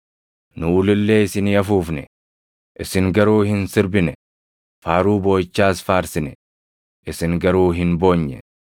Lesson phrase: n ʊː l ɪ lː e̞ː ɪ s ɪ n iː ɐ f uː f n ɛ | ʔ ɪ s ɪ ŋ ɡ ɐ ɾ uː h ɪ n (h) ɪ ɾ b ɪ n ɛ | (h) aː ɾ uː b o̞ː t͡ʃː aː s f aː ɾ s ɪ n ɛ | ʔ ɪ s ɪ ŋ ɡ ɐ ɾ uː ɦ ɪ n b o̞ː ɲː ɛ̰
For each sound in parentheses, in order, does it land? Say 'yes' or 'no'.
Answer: no, no

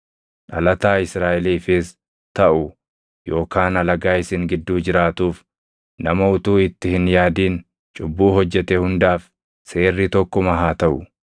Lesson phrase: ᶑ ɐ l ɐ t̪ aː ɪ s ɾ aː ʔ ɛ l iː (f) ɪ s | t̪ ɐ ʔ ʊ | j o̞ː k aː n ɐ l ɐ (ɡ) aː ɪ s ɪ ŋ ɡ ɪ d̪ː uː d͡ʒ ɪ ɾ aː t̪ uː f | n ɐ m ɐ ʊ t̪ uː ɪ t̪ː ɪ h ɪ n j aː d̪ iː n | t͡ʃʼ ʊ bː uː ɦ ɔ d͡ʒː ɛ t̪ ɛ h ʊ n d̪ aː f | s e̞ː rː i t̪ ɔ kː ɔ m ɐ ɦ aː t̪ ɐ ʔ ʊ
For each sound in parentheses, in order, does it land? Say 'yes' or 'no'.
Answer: yes, yes

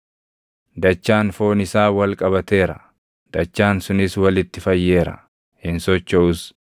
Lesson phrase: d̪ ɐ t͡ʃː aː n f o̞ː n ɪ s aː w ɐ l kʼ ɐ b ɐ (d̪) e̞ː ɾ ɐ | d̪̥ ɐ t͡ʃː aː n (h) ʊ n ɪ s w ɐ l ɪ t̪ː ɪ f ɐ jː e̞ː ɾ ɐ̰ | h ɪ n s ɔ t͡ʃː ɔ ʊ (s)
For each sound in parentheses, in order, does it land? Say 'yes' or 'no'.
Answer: no, no, yes

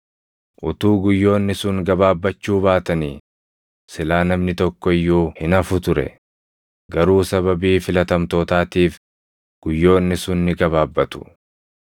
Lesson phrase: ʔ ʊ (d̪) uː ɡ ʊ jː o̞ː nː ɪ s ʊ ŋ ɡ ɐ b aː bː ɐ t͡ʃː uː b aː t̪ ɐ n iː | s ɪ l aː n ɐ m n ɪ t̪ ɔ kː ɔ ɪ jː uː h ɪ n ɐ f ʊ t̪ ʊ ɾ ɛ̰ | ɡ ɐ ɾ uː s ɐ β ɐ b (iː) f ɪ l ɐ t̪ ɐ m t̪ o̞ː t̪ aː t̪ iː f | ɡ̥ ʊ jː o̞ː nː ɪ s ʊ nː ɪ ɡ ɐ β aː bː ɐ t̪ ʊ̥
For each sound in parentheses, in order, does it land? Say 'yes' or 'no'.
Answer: no, yes

